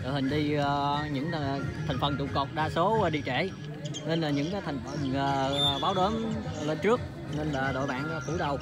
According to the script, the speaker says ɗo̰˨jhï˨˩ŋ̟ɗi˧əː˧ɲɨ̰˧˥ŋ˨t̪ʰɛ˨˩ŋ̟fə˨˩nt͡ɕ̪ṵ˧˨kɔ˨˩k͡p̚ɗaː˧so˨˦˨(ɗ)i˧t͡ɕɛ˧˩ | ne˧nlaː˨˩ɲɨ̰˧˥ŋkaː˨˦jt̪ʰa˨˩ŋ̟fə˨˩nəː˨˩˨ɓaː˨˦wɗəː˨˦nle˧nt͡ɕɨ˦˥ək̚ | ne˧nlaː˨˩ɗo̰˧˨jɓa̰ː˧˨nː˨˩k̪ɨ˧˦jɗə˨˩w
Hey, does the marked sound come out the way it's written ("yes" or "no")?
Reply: yes